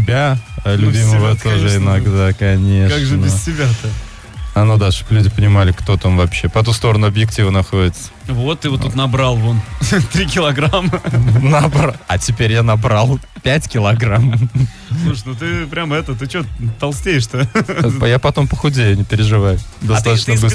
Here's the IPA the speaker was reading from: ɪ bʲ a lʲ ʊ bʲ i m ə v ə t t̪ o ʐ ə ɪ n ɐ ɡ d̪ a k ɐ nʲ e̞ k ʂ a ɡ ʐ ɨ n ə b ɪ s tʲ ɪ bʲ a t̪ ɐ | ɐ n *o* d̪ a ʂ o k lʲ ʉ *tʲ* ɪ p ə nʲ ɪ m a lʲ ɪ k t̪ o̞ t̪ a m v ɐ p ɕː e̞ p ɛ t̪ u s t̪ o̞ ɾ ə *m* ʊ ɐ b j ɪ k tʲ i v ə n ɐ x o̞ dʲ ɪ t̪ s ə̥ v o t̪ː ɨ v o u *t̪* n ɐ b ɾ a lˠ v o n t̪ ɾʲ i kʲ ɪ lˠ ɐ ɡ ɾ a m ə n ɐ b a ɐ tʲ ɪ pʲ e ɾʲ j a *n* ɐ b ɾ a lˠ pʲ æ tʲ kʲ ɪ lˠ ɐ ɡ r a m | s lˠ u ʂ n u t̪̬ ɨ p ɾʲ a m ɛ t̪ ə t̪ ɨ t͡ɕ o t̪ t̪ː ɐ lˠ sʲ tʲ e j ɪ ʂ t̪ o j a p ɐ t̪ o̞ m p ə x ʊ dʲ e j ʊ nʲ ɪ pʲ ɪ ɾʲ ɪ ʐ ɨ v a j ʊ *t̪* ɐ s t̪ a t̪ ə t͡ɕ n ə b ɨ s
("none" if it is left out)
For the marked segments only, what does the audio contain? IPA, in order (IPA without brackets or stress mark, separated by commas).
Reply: o, dʲ, n, t̪, n, d̪